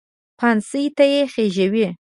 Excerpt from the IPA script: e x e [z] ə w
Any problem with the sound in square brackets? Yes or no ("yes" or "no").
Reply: yes